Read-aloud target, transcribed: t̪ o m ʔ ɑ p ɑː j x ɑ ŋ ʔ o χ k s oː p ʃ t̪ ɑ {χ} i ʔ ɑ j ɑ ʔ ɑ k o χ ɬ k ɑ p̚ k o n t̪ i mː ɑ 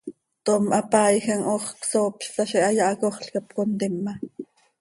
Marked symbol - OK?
no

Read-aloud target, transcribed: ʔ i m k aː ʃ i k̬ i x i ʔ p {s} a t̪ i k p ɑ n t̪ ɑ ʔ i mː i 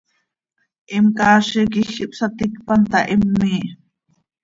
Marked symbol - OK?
yes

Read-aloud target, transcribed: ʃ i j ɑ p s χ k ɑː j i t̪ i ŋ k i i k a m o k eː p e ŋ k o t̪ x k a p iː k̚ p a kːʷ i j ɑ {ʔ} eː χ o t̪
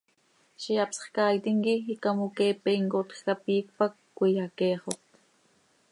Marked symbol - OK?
no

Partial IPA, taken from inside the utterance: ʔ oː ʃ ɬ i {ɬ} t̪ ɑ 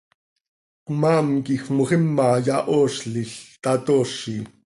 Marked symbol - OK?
yes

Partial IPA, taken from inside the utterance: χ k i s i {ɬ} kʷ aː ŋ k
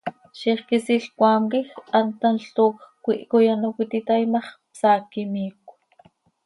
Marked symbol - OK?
yes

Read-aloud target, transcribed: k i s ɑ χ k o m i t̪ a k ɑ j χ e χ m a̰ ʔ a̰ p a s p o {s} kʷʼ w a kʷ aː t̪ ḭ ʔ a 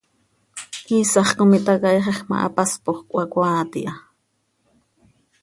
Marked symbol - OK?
no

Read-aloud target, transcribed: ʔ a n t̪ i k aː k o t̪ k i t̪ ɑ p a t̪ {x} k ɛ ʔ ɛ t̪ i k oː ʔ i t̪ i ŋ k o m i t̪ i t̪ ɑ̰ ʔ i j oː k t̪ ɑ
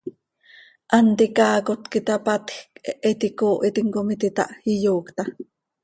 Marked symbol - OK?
yes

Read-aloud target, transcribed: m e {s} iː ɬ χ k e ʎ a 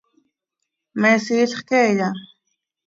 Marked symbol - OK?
yes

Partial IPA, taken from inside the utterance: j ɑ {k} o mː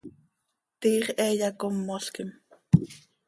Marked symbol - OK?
yes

